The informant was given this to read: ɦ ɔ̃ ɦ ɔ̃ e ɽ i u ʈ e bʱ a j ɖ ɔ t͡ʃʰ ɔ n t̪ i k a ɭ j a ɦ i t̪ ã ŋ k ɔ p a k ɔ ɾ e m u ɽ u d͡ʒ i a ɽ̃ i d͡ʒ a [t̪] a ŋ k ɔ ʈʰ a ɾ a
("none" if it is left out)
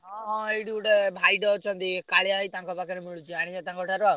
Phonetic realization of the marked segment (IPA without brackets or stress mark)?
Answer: t̪